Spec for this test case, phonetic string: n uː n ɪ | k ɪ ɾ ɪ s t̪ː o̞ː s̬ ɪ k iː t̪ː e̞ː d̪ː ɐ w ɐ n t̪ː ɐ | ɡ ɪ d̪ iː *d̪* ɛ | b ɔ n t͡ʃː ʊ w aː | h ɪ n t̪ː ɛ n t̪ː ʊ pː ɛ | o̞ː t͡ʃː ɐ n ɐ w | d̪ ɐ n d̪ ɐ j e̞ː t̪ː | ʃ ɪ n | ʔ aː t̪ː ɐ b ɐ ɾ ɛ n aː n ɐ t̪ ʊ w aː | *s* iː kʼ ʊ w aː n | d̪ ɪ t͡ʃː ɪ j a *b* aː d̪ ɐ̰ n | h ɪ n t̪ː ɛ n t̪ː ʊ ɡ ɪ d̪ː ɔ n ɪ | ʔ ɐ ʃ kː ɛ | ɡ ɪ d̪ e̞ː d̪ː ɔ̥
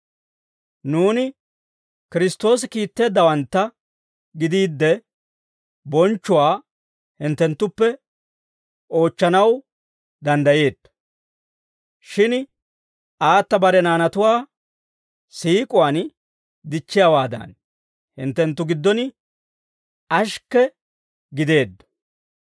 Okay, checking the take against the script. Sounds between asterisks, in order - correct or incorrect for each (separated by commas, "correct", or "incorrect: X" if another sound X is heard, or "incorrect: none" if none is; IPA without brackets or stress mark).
incorrect: d̪ː, correct, incorrect: w